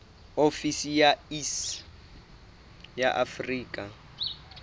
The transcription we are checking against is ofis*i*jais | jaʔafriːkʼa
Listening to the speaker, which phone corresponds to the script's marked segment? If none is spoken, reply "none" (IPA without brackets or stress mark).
i